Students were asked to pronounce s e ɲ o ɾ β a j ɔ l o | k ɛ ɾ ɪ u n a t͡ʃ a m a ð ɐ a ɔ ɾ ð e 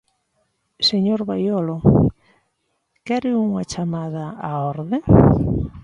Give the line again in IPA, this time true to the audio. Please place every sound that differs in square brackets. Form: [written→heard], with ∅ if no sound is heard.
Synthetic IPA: s e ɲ o ɾ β a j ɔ l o | k ɛ ɾ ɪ u [n→ŋ] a t͡ʃ a m a ð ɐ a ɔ ɾ ð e